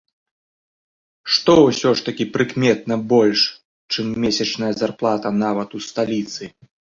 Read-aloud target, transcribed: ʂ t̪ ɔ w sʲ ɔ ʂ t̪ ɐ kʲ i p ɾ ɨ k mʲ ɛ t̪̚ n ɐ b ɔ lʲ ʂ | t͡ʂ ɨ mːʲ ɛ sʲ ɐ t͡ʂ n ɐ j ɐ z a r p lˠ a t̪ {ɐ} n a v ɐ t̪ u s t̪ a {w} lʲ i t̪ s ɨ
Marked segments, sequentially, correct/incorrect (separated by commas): correct, incorrect